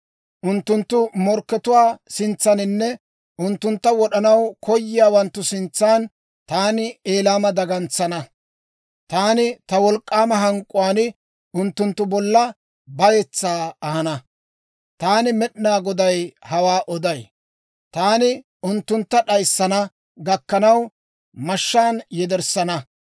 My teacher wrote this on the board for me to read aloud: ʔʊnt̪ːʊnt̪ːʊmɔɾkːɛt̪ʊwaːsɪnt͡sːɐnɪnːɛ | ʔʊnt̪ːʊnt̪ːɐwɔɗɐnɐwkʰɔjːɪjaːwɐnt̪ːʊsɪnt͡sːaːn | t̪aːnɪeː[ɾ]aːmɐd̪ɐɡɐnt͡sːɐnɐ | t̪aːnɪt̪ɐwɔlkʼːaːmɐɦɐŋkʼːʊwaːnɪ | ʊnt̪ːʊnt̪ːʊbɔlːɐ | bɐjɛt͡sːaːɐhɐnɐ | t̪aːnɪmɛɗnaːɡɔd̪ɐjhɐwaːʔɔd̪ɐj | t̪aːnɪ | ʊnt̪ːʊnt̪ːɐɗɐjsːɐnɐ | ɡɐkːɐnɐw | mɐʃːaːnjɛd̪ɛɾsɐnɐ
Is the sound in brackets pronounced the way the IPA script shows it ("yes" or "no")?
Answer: no